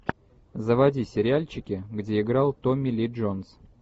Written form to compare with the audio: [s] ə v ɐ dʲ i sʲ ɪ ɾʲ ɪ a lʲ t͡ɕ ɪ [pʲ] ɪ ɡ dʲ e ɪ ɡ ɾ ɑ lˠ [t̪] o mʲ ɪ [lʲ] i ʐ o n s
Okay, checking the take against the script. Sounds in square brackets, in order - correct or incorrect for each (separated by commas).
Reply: incorrect, incorrect, correct, correct